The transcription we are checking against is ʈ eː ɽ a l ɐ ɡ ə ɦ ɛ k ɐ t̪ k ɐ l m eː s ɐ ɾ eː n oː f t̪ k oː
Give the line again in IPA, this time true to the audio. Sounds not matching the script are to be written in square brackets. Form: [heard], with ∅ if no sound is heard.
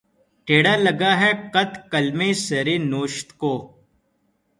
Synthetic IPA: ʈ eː ɽ a l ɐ ɡ [a] ɦ ɛ k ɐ t̪ k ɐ l m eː s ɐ ɾ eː n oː [ʃ] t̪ k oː